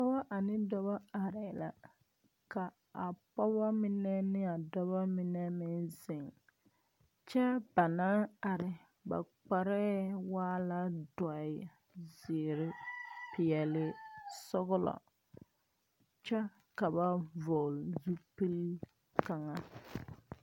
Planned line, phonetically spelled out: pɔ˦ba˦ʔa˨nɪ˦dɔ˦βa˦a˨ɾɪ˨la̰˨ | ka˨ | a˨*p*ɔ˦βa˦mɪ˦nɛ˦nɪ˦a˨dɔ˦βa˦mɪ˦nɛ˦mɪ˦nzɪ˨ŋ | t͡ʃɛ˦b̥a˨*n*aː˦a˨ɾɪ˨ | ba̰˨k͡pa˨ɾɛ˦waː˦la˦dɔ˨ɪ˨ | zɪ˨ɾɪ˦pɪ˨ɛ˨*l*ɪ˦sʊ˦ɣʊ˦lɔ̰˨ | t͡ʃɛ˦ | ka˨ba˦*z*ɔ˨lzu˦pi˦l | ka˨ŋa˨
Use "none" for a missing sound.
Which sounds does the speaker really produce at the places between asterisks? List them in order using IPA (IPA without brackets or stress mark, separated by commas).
p, n, l, v